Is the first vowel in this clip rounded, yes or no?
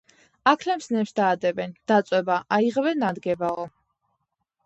no